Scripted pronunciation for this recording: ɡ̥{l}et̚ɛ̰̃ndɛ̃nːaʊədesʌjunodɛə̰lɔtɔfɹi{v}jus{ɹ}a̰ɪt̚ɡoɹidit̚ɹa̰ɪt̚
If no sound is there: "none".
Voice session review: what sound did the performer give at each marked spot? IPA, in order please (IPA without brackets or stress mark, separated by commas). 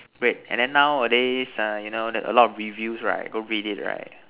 ɹ, v, ɹ